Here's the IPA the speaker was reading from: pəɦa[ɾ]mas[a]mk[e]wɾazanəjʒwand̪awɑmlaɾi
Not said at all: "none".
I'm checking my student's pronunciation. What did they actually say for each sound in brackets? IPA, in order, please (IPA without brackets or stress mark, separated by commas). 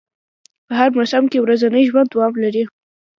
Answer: ɾ, a, e